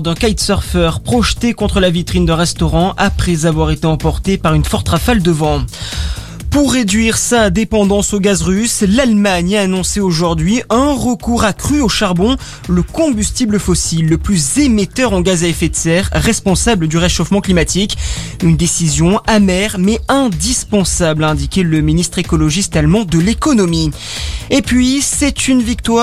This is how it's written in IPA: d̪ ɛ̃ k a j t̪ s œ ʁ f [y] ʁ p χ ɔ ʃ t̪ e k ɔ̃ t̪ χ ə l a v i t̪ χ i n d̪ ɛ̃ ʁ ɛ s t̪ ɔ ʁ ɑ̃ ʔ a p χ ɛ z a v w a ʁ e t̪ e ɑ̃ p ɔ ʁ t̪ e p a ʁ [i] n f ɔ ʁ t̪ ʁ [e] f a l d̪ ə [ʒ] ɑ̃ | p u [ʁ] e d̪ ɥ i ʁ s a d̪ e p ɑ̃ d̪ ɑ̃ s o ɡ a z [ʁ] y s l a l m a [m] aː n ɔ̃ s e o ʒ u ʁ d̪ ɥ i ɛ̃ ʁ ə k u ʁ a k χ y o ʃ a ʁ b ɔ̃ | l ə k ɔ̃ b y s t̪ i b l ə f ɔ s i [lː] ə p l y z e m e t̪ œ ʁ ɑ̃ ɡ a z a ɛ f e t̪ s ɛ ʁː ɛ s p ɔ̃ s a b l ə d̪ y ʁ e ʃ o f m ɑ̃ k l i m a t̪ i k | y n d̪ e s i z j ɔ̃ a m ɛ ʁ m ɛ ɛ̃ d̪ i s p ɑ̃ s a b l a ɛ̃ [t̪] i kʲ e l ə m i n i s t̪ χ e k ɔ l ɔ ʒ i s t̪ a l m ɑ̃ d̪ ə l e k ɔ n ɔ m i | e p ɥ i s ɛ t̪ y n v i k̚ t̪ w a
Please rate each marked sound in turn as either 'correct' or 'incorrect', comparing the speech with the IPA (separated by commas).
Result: incorrect, incorrect, incorrect, incorrect, incorrect, correct, incorrect, correct, incorrect